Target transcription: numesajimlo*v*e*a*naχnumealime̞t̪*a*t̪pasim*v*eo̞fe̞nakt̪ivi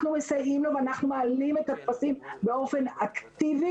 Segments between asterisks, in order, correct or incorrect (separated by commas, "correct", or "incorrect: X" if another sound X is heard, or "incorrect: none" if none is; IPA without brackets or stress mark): correct, correct, correct, incorrect: b